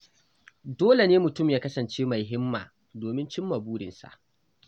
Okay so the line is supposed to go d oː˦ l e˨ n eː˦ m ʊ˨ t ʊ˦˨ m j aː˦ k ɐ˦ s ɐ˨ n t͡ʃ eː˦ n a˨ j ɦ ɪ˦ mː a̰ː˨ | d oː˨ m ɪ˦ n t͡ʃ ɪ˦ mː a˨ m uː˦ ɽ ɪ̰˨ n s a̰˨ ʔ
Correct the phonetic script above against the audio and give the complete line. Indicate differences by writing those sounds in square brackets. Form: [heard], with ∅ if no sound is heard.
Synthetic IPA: d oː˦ l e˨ n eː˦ m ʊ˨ t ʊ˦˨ m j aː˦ k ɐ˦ s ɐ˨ n t͡ʃ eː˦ [m] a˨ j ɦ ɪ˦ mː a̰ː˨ | d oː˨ m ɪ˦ n t͡ʃ ɪ˦ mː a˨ [b] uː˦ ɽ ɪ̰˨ n s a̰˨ ʔ